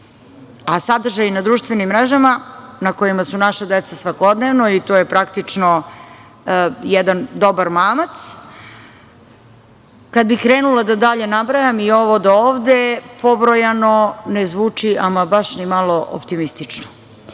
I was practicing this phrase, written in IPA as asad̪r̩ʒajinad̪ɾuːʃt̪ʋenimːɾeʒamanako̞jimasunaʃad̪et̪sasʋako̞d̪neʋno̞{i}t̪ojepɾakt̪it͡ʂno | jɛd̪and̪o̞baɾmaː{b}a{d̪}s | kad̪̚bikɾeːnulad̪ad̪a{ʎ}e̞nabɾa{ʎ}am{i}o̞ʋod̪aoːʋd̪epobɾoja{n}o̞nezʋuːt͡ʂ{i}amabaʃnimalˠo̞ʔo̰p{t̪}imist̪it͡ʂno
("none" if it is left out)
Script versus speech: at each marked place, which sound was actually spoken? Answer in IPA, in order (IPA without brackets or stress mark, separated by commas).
i, m, t̪, ʎ, j, i, n, i, t̪